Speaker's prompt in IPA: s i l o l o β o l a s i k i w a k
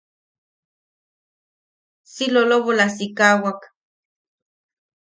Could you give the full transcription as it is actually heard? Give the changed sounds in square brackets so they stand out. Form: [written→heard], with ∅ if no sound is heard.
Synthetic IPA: s i l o l o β o l a s i k [i→a] w a k